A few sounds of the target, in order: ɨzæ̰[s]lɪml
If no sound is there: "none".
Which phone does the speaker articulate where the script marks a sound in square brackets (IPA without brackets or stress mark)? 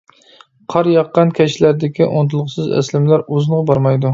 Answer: s